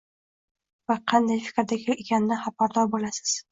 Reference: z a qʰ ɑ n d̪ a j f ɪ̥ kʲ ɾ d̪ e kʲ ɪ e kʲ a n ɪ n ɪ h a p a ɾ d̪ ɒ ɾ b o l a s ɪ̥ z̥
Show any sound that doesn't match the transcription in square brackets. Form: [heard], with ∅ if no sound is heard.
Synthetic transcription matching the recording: [v] a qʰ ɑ n d̪ a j f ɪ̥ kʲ ɾ d̪ [a] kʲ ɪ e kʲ a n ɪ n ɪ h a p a ɾ d̪ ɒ ɾ b o l a s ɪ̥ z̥